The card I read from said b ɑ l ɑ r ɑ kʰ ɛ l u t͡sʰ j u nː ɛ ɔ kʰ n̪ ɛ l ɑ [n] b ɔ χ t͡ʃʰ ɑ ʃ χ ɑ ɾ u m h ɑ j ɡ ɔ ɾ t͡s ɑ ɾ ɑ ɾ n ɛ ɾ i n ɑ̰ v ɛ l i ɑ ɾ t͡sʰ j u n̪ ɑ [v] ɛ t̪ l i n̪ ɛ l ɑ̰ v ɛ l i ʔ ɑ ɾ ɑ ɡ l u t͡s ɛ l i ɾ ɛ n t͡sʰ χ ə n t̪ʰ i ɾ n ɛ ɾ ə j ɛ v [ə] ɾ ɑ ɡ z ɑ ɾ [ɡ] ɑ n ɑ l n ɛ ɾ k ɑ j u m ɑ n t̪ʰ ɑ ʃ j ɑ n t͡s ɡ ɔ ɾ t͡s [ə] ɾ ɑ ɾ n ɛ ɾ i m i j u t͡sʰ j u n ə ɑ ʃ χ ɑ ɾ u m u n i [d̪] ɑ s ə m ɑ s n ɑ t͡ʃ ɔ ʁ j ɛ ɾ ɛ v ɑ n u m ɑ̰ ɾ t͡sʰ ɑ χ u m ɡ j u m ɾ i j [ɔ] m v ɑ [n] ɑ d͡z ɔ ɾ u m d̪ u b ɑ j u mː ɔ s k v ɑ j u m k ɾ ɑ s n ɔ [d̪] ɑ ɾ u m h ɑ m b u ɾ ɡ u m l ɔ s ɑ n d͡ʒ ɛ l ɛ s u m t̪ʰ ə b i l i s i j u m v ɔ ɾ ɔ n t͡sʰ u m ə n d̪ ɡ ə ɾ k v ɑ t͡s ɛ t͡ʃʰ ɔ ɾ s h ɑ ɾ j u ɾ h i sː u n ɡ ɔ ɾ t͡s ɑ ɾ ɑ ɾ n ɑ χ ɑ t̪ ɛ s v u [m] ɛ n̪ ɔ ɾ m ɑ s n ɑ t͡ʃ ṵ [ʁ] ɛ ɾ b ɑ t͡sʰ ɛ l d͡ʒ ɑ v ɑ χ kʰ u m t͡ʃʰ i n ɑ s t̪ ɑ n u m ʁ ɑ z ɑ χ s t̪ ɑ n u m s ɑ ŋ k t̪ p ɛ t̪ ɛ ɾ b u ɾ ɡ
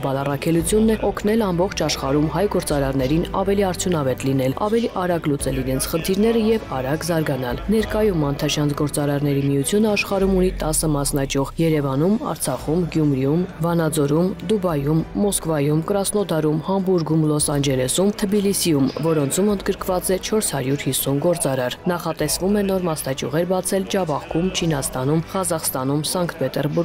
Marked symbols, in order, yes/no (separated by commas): no, yes, no, yes, no, no, no, yes, yes, yes, yes